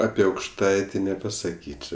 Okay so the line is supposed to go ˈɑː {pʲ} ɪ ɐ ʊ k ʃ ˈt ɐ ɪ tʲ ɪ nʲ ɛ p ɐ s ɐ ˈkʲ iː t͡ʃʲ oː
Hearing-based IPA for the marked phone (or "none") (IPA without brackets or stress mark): pʲ